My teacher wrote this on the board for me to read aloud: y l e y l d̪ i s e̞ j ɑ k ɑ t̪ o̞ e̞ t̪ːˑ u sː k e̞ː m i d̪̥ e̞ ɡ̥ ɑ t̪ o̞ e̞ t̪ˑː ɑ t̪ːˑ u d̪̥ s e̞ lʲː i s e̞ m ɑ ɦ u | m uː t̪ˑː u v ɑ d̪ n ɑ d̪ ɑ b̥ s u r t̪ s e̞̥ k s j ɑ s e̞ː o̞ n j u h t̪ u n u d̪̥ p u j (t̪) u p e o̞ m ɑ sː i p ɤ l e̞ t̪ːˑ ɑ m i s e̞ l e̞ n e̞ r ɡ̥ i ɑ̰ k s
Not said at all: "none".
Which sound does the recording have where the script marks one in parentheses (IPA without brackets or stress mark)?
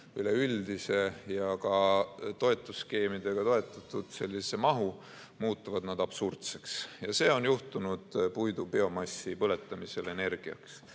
d̪